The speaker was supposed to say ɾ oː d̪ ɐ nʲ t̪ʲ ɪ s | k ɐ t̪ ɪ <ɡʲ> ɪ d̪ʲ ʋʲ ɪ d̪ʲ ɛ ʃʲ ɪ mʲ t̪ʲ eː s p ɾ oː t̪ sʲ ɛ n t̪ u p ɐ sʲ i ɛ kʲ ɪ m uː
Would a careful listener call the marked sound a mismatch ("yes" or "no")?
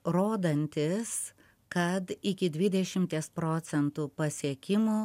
yes